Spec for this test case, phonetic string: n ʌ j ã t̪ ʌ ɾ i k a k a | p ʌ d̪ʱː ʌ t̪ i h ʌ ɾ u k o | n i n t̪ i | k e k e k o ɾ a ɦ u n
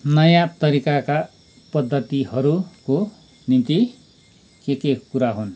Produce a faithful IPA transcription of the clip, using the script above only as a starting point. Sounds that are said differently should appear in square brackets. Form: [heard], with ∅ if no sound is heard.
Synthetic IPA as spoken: n ʌ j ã t̪ ʌ ɾ i k a k a | p ʌ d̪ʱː ʌ t̪ i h ʌ ɾ u k o | n i n t̪ i | k e k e k [u] ɾ a ɦ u n